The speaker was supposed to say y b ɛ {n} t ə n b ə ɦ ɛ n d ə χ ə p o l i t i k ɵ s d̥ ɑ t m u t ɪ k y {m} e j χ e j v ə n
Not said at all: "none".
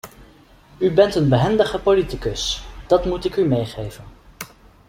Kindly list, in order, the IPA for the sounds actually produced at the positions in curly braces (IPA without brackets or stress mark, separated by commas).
n, m